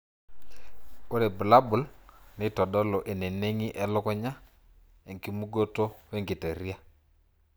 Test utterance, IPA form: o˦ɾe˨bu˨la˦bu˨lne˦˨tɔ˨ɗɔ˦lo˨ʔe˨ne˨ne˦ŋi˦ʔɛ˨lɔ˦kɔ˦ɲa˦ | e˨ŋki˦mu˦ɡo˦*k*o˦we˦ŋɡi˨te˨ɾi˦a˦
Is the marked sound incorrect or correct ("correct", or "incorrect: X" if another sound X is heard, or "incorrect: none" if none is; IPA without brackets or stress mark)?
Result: incorrect: t